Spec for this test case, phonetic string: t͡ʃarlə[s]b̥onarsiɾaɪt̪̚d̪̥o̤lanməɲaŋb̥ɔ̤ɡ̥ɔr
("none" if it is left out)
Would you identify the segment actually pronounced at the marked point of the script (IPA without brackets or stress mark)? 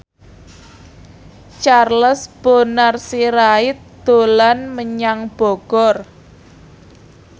s